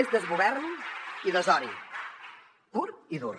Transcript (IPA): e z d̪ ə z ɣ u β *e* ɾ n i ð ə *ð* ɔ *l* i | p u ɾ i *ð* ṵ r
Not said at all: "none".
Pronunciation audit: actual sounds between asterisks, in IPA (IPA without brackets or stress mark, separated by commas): ɛ, z, ɾ, ð